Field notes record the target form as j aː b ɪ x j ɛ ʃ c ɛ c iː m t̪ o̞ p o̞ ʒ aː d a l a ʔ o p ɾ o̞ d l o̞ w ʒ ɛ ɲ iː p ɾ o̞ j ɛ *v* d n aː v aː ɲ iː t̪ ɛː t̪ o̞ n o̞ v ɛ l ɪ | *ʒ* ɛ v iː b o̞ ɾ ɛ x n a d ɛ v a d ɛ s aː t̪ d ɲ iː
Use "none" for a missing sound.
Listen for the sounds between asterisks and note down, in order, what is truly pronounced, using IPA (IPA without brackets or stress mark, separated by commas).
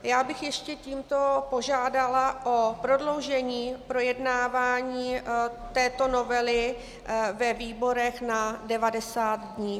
none, v